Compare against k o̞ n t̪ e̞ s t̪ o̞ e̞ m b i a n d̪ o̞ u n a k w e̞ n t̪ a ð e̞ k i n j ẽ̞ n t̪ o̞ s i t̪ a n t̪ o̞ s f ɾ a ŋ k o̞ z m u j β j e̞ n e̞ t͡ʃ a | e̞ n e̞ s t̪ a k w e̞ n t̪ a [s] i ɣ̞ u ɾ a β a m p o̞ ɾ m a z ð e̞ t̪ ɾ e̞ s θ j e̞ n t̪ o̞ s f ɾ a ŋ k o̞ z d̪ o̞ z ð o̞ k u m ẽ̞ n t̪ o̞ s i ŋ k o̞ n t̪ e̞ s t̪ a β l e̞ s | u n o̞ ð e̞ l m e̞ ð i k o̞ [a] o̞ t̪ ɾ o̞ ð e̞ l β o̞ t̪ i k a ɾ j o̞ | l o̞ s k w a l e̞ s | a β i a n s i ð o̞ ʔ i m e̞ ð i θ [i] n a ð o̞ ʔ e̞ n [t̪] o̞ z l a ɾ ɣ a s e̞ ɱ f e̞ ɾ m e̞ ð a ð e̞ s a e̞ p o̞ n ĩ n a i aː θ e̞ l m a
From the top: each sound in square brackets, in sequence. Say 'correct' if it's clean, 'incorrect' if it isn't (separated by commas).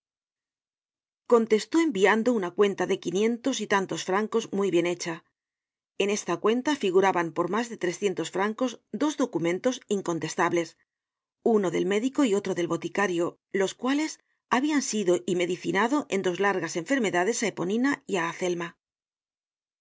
incorrect, incorrect, correct, incorrect